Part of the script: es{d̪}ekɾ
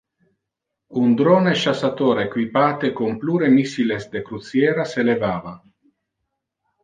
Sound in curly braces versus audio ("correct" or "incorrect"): correct